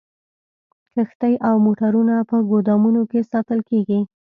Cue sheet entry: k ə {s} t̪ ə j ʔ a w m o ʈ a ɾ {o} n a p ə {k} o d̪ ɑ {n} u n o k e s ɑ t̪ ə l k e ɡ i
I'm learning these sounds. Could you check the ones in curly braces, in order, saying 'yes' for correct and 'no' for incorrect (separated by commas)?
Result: no, no, no, no